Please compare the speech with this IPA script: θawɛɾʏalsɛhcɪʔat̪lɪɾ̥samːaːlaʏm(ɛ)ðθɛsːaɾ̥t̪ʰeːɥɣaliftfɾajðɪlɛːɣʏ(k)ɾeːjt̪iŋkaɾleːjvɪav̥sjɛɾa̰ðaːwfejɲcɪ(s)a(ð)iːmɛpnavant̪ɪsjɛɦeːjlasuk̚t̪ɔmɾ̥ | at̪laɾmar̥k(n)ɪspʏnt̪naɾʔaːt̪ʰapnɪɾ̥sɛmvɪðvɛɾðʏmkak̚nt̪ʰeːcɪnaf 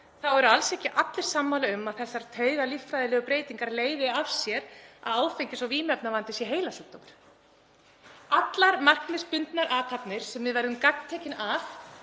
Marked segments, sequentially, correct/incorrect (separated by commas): incorrect, incorrect, correct, incorrect, correct